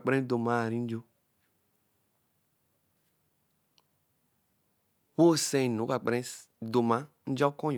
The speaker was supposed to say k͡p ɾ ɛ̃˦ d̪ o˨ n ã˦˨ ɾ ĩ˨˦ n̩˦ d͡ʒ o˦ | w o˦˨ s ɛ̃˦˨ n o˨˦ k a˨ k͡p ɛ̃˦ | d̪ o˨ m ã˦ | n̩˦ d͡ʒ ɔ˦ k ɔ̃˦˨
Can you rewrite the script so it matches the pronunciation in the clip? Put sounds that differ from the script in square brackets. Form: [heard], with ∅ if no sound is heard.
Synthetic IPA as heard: k͡p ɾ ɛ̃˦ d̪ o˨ [m] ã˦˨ ɾ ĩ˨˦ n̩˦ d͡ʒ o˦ | w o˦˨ s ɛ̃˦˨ n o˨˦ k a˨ k͡p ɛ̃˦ | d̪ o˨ m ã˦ | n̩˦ d͡ʒ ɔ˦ k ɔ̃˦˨